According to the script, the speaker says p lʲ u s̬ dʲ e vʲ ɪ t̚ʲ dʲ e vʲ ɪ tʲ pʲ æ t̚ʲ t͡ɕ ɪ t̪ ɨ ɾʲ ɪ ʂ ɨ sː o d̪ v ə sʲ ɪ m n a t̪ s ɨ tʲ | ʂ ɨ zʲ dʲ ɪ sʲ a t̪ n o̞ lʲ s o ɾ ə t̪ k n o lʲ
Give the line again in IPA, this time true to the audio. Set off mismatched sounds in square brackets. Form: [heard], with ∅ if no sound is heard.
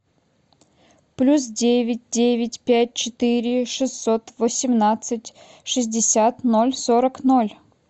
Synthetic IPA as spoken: p lʲ u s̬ dʲ e vʲ ɪ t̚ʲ dʲ e vʲ ɪ tʲ pʲ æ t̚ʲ t͡ɕ ɪ t̪ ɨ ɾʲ ɪ ʂ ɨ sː o [t̪] v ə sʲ ɪ m n a t̪ s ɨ tʲ | ʂ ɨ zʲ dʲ ɪ sʲ a t̪ n o̞ lʲ s o ɾ ə [∅] k n o lʲ